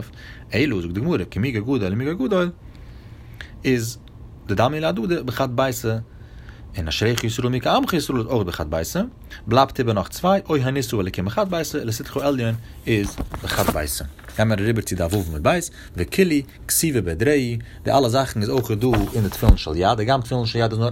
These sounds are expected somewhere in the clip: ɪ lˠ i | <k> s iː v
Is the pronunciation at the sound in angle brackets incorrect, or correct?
correct